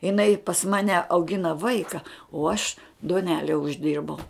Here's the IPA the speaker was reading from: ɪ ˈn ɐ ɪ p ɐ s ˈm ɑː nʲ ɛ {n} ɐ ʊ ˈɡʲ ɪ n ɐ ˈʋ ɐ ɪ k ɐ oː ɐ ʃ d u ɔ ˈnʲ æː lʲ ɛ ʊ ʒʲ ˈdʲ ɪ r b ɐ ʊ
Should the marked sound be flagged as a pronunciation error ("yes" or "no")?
yes